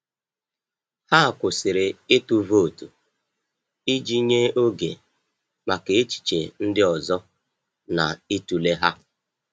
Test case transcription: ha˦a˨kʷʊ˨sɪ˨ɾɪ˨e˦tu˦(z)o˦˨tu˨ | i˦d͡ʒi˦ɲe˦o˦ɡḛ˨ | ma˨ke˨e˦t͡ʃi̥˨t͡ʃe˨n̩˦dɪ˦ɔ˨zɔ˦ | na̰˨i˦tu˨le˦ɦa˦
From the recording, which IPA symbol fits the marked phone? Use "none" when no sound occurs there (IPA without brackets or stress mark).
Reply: v